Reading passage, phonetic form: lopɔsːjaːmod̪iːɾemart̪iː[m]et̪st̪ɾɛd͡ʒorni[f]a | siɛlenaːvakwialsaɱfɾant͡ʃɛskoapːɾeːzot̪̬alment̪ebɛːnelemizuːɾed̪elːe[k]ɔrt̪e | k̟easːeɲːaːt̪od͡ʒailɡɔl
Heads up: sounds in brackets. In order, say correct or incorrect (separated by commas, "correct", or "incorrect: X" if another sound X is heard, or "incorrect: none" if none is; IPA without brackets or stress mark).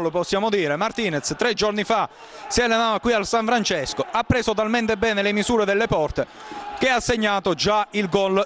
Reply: incorrect: n, correct, incorrect: p